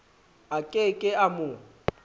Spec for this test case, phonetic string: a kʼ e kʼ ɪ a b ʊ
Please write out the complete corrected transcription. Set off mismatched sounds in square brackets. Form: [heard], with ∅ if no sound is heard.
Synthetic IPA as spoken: a kʼ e kʼ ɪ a [m] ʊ

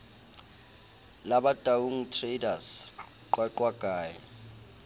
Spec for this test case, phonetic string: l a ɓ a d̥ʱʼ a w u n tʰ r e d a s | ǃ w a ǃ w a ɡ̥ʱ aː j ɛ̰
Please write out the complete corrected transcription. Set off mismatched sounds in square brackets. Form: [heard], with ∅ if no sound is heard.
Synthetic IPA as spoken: l a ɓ a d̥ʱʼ a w u [ŋ] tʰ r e d a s | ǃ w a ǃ w a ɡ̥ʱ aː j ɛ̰

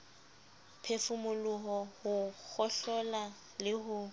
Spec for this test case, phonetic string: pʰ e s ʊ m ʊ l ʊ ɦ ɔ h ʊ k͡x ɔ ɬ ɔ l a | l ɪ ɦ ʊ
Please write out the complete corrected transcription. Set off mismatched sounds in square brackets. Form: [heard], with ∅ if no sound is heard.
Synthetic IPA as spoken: pʰ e [f] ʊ m ʊ l ʊ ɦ ɔ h ʊ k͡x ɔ ɬ ɔ l a | l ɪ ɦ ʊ

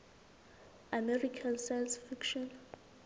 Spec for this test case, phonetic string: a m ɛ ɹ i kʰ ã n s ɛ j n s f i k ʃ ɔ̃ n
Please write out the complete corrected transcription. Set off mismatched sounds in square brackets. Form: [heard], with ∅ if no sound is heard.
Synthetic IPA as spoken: a m ɛ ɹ i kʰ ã n s [a] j n s f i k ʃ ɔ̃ n

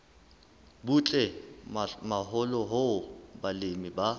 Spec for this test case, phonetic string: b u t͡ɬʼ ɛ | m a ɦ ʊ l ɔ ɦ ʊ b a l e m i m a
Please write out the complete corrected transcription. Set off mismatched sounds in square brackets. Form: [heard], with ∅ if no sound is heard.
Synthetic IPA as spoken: b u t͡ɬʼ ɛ | m a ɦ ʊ l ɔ ɦ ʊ b a l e m i [b] a

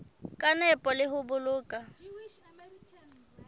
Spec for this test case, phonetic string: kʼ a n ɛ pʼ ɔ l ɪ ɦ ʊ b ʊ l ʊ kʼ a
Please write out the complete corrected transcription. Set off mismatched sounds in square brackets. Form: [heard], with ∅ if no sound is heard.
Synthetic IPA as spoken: kʼ a n ɛ pʼ ɔ l ɪ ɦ ʊ b ʊ l [ʊː] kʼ a

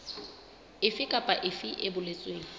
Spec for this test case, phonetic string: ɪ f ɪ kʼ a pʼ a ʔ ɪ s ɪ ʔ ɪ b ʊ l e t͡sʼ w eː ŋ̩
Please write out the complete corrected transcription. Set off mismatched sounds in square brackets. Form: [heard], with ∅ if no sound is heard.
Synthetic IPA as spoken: ɪ f ɪ kʼ a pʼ a ʔ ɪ [f] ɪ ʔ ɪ b ʊ l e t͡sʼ w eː ŋ̩

